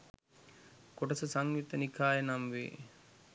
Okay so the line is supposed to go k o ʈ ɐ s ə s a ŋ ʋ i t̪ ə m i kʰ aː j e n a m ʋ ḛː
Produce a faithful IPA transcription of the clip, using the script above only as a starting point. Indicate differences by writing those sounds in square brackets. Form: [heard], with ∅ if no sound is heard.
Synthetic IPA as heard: k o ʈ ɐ s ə s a ŋ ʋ i t̪ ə [n] i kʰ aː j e n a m ʋ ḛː